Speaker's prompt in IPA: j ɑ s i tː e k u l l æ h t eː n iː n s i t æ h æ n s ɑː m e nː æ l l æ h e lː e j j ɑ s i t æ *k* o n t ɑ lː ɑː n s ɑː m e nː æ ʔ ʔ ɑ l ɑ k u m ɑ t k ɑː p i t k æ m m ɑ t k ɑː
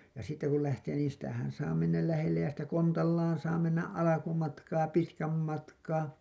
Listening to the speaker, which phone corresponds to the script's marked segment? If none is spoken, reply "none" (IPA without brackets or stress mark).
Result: k